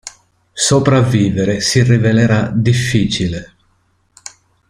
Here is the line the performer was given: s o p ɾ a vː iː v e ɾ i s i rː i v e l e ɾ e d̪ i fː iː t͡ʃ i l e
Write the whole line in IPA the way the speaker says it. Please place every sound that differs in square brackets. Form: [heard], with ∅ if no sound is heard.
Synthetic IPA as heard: s o p ɾ a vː iː v e ɾ [e] s i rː i v e l e ɾ [a] d̪ i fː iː t͡ʃ i l e